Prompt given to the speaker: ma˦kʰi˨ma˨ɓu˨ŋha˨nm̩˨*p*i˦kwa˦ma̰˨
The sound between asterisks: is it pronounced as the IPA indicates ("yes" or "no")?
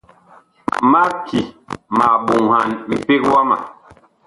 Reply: yes